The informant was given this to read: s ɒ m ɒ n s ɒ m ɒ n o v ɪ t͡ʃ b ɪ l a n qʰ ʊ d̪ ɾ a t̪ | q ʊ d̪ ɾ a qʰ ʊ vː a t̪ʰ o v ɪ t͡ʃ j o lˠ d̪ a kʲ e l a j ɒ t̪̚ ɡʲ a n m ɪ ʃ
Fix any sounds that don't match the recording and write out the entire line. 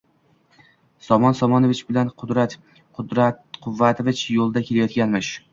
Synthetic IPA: s ɒ m ɒ n s ɒ m ɒ n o v ɪ t͡ʃ b ɪ l a n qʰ ʊ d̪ ɾ a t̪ | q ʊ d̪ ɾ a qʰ ʊ vː a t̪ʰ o v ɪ t͡ʃ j o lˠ d̪ a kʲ e l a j ɒ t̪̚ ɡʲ a n m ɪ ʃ